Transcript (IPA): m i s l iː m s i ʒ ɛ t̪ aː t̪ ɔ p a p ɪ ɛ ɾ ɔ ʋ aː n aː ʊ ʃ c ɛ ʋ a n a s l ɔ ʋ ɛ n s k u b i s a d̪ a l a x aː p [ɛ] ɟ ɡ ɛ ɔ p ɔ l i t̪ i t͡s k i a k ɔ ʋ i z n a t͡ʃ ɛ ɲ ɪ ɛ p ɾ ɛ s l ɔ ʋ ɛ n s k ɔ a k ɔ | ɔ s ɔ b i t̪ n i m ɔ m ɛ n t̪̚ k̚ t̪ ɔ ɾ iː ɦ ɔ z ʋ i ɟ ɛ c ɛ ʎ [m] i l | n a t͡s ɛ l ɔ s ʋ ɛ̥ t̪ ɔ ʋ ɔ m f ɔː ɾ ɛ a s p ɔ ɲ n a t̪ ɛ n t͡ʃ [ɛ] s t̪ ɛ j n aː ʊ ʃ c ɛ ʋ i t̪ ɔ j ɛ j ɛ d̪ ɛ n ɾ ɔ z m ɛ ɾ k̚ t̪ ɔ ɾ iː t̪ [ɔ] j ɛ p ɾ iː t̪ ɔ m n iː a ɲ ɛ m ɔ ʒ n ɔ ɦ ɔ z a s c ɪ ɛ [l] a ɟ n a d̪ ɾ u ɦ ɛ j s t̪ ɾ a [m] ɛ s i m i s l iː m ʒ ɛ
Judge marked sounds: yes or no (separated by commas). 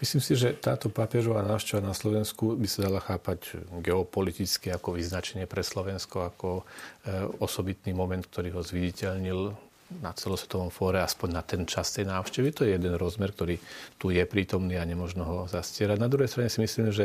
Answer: no, no, no, no, no, no